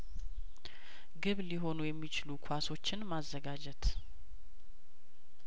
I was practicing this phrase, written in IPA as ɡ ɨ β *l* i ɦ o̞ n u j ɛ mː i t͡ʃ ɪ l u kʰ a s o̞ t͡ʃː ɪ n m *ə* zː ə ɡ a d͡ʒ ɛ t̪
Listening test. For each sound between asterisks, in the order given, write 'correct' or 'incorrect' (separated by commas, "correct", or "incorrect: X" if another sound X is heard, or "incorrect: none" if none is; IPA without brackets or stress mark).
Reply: correct, incorrect: a